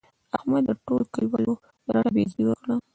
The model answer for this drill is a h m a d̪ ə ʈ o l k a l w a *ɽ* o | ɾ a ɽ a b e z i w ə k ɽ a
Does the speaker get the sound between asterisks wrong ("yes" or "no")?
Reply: yes